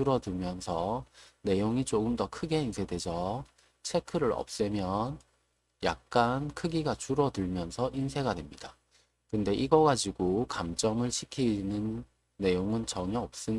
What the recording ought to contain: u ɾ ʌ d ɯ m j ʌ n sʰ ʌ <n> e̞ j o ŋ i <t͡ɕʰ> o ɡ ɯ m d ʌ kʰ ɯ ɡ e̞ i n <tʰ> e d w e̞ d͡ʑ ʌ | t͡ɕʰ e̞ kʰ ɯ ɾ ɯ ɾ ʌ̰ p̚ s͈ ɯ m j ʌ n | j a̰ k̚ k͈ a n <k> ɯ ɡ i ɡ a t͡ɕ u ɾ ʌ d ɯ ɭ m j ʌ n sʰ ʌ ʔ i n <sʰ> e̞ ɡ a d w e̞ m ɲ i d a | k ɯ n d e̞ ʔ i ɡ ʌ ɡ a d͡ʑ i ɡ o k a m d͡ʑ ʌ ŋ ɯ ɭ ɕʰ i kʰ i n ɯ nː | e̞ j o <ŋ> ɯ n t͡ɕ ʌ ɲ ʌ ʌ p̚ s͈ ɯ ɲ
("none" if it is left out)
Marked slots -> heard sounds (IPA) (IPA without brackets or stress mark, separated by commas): n, t͡ɕ, sʰ, kʰ, sʰ, ŋ